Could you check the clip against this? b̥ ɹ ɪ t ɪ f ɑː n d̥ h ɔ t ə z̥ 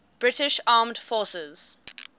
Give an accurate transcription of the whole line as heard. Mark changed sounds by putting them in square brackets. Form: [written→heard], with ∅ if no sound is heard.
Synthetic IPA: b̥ ɹ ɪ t ɪ [f→ʃ] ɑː [n→m] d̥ [h→f] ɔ [t→s] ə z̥